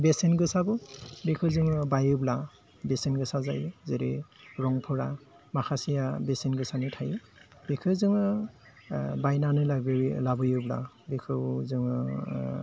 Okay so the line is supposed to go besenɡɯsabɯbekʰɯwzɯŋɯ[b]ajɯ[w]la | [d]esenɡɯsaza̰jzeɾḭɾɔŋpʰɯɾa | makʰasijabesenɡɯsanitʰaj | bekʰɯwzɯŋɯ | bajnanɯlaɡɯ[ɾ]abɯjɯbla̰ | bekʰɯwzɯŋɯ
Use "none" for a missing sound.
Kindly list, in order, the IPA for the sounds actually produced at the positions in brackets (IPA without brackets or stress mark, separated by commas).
b, b, b, l